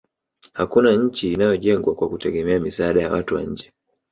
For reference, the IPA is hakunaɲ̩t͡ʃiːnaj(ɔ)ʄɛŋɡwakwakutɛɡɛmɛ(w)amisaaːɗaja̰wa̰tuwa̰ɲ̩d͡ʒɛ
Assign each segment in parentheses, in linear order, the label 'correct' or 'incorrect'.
correct, incorrect

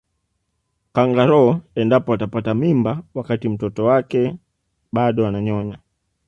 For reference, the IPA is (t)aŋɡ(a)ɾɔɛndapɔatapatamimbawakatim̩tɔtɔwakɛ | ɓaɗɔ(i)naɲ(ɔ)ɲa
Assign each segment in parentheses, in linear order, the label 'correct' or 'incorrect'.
incorrect, correct, incorrect, correct

